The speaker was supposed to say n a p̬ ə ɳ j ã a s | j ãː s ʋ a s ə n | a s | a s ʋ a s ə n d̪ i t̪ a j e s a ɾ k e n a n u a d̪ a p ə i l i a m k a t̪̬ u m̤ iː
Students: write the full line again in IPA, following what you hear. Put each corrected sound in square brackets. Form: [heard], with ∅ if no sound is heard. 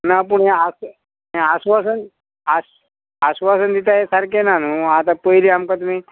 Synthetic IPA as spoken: n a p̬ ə ɳ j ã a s | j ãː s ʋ a s ə n | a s | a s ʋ a s ə n d̪ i t̪ a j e s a ɾ k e n a n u a [t̪] a p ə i l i a m k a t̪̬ u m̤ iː